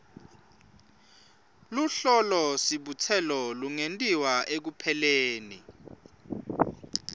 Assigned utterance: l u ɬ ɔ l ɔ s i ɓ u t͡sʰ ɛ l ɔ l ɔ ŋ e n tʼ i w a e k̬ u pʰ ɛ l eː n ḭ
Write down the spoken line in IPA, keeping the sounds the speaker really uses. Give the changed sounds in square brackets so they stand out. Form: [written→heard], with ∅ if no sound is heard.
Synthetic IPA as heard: l u ɬ ɔ l ɔ s i ɓ u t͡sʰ ɛ l ɔ l [ɔ→u] ŋ e n tʼ i w a e k̬ u pʰ ɛ l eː n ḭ